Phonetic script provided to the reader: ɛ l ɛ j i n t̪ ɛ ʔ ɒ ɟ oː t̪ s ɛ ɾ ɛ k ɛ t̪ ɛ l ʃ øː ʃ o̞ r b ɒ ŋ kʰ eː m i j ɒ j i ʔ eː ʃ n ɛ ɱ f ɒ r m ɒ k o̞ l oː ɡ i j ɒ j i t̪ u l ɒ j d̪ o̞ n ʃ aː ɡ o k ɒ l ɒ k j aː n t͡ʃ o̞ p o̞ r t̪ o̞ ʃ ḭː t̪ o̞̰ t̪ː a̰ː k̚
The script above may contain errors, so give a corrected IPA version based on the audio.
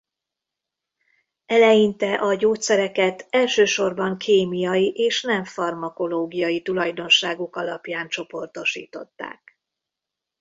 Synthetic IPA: ɛ l ɛ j i n t̪ ɛ ʔ ɒ ɟ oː t̪ s ɛ ɾ ɛ k ɛ t̪ ɛ l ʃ øː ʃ o̞ r b ɒ ŋ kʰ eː m i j ɒ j i ʔ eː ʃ n ɛ ɱ f ɒ r m ɒ k o̞ l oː ɡ i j ɒ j i t̪ u l ɒ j d̪ o̞ n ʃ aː ɡ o k ɒ l ɒ p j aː n t͡ʃ o̞ p o̞ r t̪ o̞ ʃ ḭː t̪ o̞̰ t̪ː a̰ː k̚